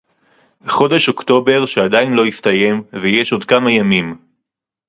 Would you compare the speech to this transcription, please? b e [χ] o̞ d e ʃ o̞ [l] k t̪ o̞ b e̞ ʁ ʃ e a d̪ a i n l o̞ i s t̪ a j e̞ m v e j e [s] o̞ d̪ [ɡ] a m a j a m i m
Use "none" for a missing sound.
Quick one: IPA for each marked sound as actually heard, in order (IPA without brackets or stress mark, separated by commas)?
χ, none, ʃ, k